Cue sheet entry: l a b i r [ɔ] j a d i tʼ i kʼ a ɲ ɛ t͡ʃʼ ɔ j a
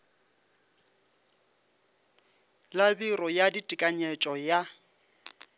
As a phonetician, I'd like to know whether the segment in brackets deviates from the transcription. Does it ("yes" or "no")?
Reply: no